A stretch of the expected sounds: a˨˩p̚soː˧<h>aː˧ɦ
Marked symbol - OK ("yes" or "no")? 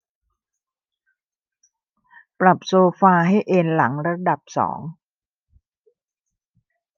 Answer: no